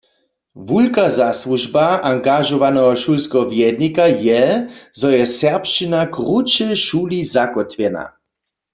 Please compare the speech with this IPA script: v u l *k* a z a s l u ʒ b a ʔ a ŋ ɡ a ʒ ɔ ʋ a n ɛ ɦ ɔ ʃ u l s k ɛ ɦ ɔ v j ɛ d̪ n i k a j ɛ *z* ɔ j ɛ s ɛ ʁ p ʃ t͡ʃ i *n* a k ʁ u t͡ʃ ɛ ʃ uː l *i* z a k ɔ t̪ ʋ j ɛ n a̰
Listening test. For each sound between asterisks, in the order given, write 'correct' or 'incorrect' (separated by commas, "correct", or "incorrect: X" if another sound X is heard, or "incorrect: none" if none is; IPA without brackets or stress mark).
correct, correct, correct, correct